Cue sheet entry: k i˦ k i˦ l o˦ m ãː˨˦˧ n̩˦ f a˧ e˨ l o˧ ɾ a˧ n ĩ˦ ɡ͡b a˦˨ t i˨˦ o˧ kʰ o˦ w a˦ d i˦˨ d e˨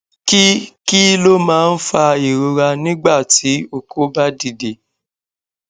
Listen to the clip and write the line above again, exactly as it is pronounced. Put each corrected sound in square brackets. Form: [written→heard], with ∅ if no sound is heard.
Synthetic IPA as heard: k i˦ k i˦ l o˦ m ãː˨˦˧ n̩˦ f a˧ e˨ [l→ɾ] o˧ ɾ a˧ n ĩ˦ ɡ͡b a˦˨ t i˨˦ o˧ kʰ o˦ [w→b] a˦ d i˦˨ d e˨